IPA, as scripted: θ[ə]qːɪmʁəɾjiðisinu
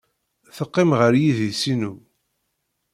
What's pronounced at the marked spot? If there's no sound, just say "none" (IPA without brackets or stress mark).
ə